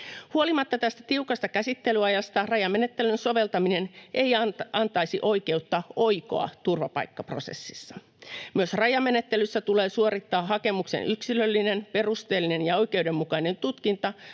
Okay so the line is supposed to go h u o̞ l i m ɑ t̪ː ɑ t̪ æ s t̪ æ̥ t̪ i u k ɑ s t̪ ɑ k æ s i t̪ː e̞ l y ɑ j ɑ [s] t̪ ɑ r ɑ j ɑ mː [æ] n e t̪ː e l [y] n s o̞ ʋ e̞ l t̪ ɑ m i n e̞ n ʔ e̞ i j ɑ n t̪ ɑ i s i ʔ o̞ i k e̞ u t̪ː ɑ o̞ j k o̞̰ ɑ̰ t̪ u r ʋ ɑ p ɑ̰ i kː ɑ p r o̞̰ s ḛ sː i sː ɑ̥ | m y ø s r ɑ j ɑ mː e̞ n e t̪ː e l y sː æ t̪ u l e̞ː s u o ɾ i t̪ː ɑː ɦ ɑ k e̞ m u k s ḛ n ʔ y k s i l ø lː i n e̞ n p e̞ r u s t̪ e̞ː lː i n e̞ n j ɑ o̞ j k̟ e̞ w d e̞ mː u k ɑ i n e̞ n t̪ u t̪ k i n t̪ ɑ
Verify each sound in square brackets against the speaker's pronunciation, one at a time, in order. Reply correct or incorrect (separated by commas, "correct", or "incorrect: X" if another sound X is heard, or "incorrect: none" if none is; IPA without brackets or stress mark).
correct, incorrect: e, correct